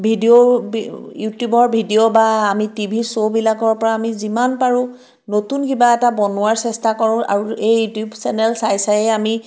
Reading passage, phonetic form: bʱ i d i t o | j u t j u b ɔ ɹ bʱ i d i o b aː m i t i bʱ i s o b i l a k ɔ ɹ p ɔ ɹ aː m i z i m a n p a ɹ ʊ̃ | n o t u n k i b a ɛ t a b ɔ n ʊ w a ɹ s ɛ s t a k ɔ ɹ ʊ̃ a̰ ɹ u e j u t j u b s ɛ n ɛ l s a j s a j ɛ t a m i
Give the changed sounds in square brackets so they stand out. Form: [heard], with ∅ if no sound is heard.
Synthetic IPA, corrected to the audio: bʱ i d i [∅] o | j u t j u b ɔ ɹ bʱ i d i o b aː m i t i bʱ i s o b i l a k ɔ ɹ p ɔ ɹ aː m i z i m a n p a ɹ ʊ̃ | n o t u n k i b a ɛ t a b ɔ n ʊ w a ɹ s ɛ s t a k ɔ ɹ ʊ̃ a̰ ɹ u e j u t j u b s ɛ n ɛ l s a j s a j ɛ [∅] a m i